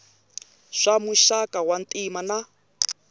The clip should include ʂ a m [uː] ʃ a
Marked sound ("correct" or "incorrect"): incorrect